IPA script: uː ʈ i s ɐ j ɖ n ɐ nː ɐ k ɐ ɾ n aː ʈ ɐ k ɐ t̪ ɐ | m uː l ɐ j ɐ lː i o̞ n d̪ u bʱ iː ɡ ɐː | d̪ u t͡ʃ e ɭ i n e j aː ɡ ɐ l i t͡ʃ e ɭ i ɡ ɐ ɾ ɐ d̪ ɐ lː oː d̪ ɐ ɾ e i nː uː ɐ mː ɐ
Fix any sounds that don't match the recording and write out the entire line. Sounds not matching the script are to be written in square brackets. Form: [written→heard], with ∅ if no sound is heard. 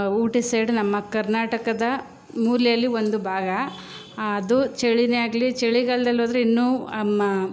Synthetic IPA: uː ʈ i s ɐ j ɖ n ɐ [nː→mː] ɐ k ɐ ɾ n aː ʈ ɐ k ɐ [t̪→d̪] ɐ | m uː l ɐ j ɐ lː i o̞ n d̪ u bʱ [iː→aː] ɡ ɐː | d̪ u t͡ʃ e ɭ i n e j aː ɡ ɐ l i t͡ʃ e ɭ i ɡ ɐ [ɾ→ɭ] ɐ d̪ ɐ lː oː d̪ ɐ ɾ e i nː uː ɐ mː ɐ

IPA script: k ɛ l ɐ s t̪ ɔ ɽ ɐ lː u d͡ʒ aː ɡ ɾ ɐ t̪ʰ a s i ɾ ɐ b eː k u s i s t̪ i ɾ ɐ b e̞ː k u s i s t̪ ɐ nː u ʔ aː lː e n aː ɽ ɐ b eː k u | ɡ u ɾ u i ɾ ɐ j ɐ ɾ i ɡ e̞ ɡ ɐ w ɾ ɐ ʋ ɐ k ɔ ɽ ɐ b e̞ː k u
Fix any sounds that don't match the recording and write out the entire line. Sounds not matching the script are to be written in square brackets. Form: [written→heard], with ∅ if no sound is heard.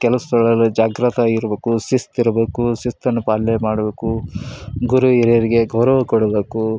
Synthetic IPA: k ɛ l ɐ s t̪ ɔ [ɽ→ɭ] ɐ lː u d͡ʒ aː ɡ ɾ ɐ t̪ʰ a [s→∅] i ɾ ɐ b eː k u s i s t̪ i ɾ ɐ b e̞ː k u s i s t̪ ɐ nː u [ʔ→p] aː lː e [n→m] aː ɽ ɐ b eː k u | ɡ u ɾ u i ɾ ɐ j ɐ ɾ i ɡ e̞ ɡ ɐ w ɾ ɐ ʋ ɐ k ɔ ɽ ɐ b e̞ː k u

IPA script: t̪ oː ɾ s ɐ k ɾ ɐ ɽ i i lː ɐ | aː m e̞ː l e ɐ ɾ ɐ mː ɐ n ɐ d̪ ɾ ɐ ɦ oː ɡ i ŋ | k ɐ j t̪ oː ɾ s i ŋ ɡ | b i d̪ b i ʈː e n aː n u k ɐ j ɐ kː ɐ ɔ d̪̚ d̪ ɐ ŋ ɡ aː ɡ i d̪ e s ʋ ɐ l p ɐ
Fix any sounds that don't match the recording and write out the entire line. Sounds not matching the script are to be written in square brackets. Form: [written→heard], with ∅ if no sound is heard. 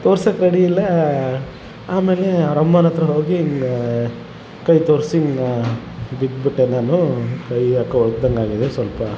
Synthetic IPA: t̪ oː ɾ s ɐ k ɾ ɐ ɽ i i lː ɐ | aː m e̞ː l e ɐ ɾ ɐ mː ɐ n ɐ [d̪→t̪] ɾ ɐ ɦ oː ɡ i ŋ | k ɐ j t̪ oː ɾ s i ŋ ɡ | b i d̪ b i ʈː e n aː n u k ɐ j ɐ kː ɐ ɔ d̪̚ d̪ ɐ ŋ ɡ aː ɡ i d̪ e s ʋ ɐ l p ɐ

